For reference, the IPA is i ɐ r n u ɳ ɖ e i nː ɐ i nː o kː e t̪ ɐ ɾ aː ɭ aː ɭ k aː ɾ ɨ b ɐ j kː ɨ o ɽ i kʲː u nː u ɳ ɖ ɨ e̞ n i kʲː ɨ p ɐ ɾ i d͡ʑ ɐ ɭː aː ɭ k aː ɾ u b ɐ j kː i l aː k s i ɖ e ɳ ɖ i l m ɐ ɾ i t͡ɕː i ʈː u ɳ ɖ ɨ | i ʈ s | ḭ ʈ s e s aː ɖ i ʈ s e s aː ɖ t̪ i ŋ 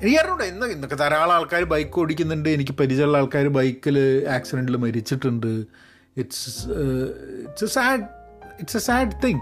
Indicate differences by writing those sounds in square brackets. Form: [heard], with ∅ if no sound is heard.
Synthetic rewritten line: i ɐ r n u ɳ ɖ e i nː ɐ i nː o kː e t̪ ɐ ɾ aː ɭ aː ɭ k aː ɾ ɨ b ɐ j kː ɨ o ɽ i kʲː u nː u ɳ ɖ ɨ e̞ n i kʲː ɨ p ɐ ɾ i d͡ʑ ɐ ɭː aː ɭ k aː ɾ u b ɐ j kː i l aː k s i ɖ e ɳ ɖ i l m ɐ ɾ i t͡ɕː i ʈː u ɳ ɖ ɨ | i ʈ s | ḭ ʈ s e s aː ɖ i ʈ s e s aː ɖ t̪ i ŋ